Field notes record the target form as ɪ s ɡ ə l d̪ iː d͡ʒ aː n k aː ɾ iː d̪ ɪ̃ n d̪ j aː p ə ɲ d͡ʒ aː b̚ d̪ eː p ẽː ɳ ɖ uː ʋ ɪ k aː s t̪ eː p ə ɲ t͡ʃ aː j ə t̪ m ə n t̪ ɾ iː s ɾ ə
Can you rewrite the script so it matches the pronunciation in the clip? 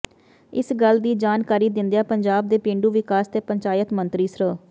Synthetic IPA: ɪ s ɡ ə l d̪ iː d͡ʒ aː n k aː ɾ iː d̪ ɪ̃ n d̪ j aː p ə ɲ d͡ʒ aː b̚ d̪ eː p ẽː ɳ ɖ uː ʋ ɪ k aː s t̪ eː p ə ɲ t͡ʃ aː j ə t̪ m ə n t̪ ɾ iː s ɾ ə